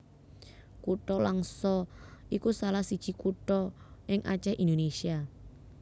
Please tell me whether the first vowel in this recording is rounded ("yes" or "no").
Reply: yes